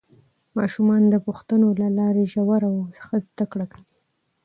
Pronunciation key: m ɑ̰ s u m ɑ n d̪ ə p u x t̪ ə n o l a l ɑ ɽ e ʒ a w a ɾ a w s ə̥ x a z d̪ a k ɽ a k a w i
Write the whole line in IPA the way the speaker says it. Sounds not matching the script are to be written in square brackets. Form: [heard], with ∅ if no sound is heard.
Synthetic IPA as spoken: m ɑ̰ [ʃ] u m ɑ n d̪ ə p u x t̪ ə n o l a l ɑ [ɾ] e ʒ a w a ɾ a w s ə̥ x a z d̪ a k ɽ a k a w i